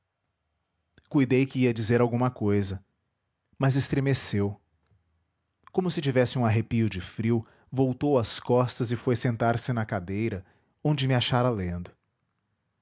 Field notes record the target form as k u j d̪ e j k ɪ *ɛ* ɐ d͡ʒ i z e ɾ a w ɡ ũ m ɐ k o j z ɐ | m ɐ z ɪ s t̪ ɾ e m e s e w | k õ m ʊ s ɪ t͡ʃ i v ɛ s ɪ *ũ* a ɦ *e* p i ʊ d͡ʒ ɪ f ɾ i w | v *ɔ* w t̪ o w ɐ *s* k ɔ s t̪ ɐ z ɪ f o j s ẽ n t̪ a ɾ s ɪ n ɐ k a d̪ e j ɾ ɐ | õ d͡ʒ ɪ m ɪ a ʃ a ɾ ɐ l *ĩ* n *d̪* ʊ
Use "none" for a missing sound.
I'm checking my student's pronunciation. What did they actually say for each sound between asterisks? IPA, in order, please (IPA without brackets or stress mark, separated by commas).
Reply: i, ũ, e, o, s, ẽ, d̪